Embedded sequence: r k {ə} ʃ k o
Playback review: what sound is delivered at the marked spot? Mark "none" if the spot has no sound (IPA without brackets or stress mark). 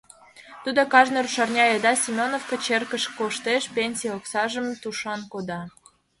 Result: ə